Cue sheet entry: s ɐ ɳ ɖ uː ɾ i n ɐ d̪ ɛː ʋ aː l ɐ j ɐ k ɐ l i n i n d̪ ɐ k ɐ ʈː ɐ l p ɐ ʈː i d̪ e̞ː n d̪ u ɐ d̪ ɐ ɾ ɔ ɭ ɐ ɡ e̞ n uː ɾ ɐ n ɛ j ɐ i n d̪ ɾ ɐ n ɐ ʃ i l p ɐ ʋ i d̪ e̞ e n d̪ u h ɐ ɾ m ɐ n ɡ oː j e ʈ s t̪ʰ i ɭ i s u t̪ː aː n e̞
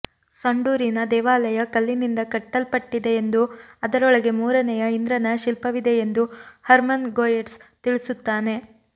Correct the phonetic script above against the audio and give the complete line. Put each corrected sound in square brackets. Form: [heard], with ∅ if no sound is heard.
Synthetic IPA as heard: s ɐ ɳ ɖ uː ɾ i n ɐ d̪ ɛː ʋ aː l ɐ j ɐ k ɐ [lː] i n i n d̪ ɐ k ɐ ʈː ɐ l p ɐ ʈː i d̪ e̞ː n d̪ u ɐ d̪ ɐ ɾ ɔ ɭ ɐ ɡ e̞ [m] uː ɾ ɐ n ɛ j ɐ i n d̪ ɾ ɐ n ɐ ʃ i l p ɐ ʋ i d̪ e̞ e n d̪ u h ɐ ɾ m ɐ n ɡ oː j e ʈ s [t̪] i ɭ i s u t̪ː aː n e̞

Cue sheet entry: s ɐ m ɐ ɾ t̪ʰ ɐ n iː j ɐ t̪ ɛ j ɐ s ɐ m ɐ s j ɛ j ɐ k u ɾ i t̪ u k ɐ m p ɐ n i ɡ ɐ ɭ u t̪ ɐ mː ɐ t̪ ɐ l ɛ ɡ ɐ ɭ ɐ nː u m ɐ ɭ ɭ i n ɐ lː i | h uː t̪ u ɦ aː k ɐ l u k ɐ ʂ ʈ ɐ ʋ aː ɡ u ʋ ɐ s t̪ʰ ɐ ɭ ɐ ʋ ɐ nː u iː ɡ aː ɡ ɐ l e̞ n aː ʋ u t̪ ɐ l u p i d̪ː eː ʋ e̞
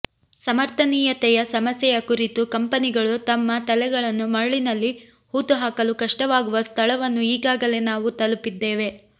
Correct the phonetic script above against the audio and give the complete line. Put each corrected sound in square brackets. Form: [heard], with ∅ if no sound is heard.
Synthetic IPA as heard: s ɐ m ɐ ɾ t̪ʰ ɐ n iː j ɐ t̪ ɛ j ɐ s ɐ m ɐ s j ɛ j ɐ k u ɾ i t̪ u k ɐ m p ɐ n i ɡ ɐ ɭ u t̪ ɐ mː ɐ t̪ ɐ l ɛ ɡ ɐ ɭ ɐ nː u m ɐ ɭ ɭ i n ɐ lː i | h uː t̪ u ɦ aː k ɐ l u k ɐ ʂ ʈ ɐ ʋ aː ɡ u ʋ ɐ s t̪ʰ ɐ ɭ ɐ ʋ ɐ nː u iː ɡ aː ɡ ɐ l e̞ n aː ʋ u t̪ ɐ l u p i d̪ː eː ʋ e̞

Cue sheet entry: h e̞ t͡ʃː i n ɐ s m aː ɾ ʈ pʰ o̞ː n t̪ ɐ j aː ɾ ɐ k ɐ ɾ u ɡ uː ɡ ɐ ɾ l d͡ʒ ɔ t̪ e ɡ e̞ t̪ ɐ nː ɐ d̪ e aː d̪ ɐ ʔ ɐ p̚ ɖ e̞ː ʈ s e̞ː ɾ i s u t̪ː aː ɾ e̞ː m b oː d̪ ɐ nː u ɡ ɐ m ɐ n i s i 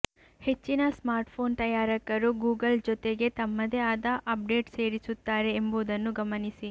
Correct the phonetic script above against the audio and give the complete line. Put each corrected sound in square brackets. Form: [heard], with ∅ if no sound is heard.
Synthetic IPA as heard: h e̞ t͡ʃː i n ɐ s m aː ɾ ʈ pʰ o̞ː n t̪ ɐ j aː ɾ ɐ k ɐ ɾ u ɡ uː ɡ ɐ [∅] l d͡ʒ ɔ t̪ e ɡ e̞ t̪ ɐ [mː] ɐ d̪ e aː d̪ ɐ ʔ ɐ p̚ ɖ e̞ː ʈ s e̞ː ɾ i s u t̪ː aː ɾ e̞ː m b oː d̪ ɐ nː u ɡ ɐ m ɐ n i s i

